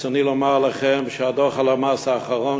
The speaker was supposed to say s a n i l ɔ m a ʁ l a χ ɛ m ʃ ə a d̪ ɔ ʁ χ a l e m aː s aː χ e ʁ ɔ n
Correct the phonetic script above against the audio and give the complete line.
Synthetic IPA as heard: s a n i l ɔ m a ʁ l a χ ɛ m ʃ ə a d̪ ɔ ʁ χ a l a m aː s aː χ a ʁ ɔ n